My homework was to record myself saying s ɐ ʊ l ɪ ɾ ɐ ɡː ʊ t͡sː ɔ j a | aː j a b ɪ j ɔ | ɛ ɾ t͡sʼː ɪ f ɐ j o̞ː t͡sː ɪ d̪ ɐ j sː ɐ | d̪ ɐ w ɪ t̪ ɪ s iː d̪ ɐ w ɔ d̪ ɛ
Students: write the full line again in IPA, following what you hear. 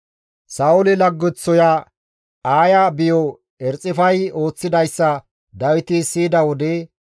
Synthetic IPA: s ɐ ʊ l ɪ l ɐ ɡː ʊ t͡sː ɔ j a | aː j a b ɪ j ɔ | ɛ ɾ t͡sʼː ɪ f ɐ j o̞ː t͡sː ɪ d̪ ɐ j sː ɐ | d̪ ɐ w ɪ t̪ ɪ s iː d̪ ɐ w ɔ d̪ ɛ

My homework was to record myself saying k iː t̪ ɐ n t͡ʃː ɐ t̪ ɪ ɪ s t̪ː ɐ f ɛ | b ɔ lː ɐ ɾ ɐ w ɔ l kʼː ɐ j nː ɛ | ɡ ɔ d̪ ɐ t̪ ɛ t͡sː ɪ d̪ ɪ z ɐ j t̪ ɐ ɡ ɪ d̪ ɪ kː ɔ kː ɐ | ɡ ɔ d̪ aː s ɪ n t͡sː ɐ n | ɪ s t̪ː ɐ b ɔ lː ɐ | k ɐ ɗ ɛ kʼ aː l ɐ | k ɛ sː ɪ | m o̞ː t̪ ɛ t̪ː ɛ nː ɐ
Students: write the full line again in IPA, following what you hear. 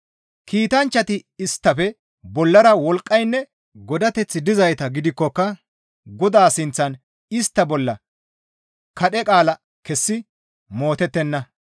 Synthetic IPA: k iː t̪ ɐ n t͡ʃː ɐ t̪ ɪ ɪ s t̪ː ɐ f ɛ | b ɔ lː ɐ ɾ ɐ w ɔ l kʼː ɐ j nː ɛ | ɡ ɔ d̪ ɐ t̪ ɛ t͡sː ɪ d̪ ɪ z ɐ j t̪ ɐ ɡ ɪ d̪ ɪ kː ɔ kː ɐ | ɡ ɔ d̪ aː s ɪ n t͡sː ɐ n | ɪ s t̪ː ɐ b ɔ lː ɐ | k ɐ ɗ ɛ kʼ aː l ɐ | k ɛ sː ɪ | m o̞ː t̪ ɛ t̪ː ɛ nː ɐ

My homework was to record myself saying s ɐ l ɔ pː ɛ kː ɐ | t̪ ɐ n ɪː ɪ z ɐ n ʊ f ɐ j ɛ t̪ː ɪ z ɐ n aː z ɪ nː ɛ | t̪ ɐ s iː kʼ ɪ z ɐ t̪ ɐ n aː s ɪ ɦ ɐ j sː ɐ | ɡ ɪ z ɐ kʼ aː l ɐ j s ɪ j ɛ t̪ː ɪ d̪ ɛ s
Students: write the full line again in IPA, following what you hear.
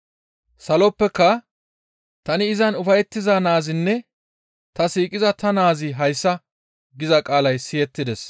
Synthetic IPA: s ɐ l ɔ pː ɛ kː ɐ | t̪ ɐ n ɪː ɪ z ɐ n ʊ f ɐ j ɛ t̪ː ɪ z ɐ n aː z ɪ nː ɛ | t̪ ɐ s iː kʼ ɪ z ɐ t̪ ɐ n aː z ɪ ɦ ɐ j sː ɐ | ɡ ɪ z ɐ kʼ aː l ɐ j s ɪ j ɛ t̪ː ɪ d̪ ɛ s

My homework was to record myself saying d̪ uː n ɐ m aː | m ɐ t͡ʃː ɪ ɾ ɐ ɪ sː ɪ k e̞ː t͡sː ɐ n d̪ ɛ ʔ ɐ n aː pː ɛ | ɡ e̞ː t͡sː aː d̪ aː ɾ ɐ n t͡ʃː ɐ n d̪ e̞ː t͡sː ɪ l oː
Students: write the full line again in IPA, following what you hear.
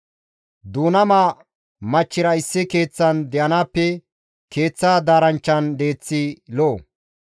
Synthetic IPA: d̪ uː n ɐ m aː | m ɐ t͡ʃː ɪ ɾ ɐ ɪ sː ɪ k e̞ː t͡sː ɐ n d̪ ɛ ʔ ɐ n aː pː ɛ | k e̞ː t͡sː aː d̪ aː ɾ ɐ n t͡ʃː ɐ n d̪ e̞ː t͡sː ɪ l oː

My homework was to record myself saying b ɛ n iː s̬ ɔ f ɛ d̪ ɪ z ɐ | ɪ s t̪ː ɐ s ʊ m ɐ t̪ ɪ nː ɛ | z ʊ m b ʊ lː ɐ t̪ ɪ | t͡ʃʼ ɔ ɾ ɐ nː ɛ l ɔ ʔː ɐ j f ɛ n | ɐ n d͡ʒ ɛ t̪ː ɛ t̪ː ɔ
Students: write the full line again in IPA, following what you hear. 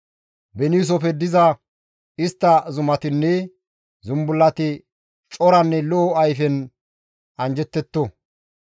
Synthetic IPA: b ɛ n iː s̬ ɔ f ɛ d̪ ɪ z ɐ | ɪ s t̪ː ɐ z ʊ m ɐ t̪ ɪ nː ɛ | z ʊ m b ʊ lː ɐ t̪ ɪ | t͡ʃʼ ɔ ɾ ɐ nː ɛ l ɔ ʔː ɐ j f ɛ n | ɐ n d͡ʒ ɛ t̪ː ɛ t̪ː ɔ

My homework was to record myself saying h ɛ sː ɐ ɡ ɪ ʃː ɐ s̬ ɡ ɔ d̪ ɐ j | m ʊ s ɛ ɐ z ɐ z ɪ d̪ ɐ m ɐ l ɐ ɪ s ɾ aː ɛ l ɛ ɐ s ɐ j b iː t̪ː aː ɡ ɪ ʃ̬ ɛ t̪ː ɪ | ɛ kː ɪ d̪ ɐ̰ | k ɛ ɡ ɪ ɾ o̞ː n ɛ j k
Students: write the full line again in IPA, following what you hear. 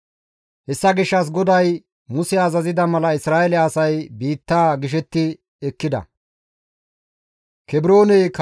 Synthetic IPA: h ɛ sː ɐ ɡ ɪ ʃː ɐ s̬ ɡ ɔ d̪ ɐ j | m ʊ s ɛ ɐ z ɐ z ɪ d̪ ɐ m ɐ l ɐ ɪ s ɾ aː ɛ l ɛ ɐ s ɐ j b iː t̪ː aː ɡ ɪ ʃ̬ ɛ t̪ː ɪ | ɛ kː ɪ d̪ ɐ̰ | k ɛ b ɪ ɾ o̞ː n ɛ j k

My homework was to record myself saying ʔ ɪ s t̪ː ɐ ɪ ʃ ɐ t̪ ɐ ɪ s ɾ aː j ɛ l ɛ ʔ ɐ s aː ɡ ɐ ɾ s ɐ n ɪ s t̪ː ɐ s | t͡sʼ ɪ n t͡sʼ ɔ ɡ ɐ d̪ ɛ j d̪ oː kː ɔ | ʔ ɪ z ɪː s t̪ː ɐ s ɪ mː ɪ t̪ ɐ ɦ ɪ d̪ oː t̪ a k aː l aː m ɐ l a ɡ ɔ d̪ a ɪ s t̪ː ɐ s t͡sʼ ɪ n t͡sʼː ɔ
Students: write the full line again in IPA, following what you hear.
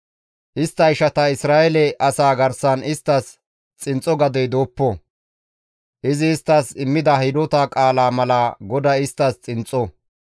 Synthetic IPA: ʔ ɪ s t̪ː ɐ ɪ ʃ ɐ t̪ ɐ ɪ s ɾ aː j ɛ l ɛ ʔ ɐ s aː ɡ ɐ ɾ s ɐ n ɪ s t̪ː ɐ s | t͡sʼ ɪ n t͡sʼ ɔ ɡ ɐ d̪ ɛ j d̪ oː pː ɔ | ʔ ɪ z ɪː s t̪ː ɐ s ɪ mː ɪ d̪ ɐ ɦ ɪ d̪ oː t̪ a kʼ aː l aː m ɐ l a ɡ ɔ d̪ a ɪ s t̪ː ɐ s t͡sʼ ɪ n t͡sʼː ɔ

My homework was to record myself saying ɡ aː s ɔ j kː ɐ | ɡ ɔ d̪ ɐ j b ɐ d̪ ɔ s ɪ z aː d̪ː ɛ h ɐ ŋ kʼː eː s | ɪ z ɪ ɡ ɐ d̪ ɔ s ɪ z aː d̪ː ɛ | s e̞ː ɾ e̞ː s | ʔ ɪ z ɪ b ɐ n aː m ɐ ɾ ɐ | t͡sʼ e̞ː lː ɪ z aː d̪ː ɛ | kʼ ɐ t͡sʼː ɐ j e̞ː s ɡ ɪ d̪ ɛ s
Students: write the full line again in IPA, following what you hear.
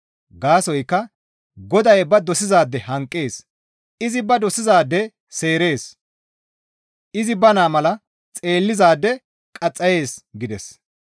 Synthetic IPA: ɡ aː s ɔ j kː ɐ | ɡ ɔ d̪ ɐ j b ɐ d̪ ɔ s ɪ z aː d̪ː ɛ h ɐ ŋ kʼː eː s | ɪ z ɪ b ɐ d̪ ɔ s ɪ z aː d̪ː ɛ | s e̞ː ɾ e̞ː s | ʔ ɪ z ɪ b ɐ n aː m ɐ l ɐ | t͡sʼ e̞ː lː ɪ z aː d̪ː ɛ | kʼ ɐ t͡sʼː ɐ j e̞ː s ɡ ɪ d̪ ɛ s

